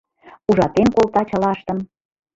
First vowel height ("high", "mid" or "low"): high